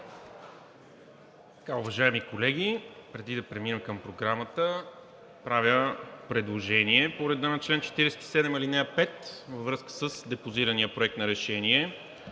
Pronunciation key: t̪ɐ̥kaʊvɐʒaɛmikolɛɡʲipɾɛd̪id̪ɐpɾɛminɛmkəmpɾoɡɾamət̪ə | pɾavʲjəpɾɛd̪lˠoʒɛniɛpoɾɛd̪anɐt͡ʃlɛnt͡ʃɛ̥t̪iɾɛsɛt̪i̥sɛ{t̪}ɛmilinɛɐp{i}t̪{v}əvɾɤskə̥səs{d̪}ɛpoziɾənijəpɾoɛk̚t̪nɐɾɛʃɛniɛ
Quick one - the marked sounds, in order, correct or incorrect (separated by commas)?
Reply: incorrect, incorrect, correct, correct